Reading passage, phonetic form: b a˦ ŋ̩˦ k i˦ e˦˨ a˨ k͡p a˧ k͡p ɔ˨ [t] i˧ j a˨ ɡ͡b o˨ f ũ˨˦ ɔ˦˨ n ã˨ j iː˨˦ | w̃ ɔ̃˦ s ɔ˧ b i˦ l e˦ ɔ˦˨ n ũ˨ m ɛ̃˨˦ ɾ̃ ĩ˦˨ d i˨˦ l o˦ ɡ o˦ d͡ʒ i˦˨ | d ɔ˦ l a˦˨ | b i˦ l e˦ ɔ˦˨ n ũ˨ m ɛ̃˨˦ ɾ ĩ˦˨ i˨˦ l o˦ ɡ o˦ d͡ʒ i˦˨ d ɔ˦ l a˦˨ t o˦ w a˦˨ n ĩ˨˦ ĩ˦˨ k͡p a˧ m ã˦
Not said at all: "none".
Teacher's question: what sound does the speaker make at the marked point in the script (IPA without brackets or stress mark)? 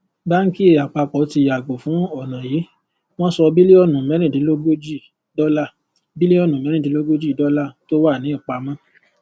t